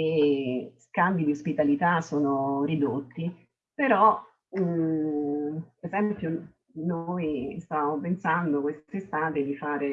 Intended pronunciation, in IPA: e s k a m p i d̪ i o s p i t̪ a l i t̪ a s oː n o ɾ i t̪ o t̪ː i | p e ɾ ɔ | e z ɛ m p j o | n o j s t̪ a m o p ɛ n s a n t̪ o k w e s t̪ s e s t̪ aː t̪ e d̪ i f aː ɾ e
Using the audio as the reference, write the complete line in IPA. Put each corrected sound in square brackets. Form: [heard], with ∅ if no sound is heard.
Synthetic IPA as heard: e s k a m [b] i d̪ i o s p i t̪ a l i t̪ a s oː n o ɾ i [d̪] o t̪ː i | p e ɾ ɔ | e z ɛ m p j o | n o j s t̪ a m o p [e] n s a n [d̪] o k w e s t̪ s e s t̪ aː t̪ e d̪ i f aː ɾ e